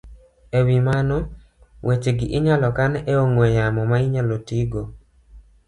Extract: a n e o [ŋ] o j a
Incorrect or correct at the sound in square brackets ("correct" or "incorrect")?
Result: correct